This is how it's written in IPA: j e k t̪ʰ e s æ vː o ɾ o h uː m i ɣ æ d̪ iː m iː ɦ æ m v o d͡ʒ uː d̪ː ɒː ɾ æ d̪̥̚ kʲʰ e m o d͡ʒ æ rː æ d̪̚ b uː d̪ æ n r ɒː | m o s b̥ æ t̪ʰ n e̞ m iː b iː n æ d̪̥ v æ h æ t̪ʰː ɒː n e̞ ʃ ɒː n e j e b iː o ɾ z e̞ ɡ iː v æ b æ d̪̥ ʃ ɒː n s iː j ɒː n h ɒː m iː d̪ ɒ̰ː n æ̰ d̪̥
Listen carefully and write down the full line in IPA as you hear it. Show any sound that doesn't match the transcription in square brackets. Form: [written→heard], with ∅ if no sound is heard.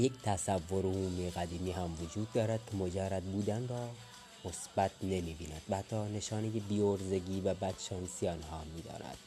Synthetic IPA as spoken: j e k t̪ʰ [e→æ] s æ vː o ɾ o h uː m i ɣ æ d̪ iː m iː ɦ æ m v o d͡ʒ uː d̪ː ɒː ɾ æ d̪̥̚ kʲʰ e m o d͡ʒ æ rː æ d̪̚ b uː d̪ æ n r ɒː | m o s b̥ æ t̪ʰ n e̞ m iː b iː n æ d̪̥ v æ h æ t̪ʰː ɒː n e̞ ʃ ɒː n e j e b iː o ɾ z e̞ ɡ iː v æ b æ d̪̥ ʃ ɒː n s [iː→i] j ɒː n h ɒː m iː d̪ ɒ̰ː n æ̰ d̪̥